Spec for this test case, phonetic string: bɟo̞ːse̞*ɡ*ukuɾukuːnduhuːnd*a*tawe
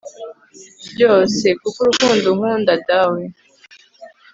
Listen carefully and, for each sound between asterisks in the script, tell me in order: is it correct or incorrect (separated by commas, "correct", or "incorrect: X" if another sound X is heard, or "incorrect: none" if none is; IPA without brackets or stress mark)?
incorrect: k, correct